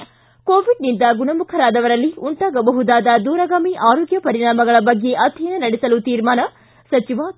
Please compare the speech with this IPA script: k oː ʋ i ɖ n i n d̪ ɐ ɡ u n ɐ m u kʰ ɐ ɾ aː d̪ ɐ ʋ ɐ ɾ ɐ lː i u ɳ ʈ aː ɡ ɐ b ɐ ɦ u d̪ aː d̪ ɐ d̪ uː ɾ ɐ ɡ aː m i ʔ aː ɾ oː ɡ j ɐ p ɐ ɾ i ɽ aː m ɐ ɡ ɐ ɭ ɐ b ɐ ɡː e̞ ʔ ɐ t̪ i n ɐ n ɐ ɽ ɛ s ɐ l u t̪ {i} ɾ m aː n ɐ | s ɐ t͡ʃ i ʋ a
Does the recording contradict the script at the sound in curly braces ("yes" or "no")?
yes